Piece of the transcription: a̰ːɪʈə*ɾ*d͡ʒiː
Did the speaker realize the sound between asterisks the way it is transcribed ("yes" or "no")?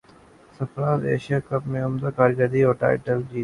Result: no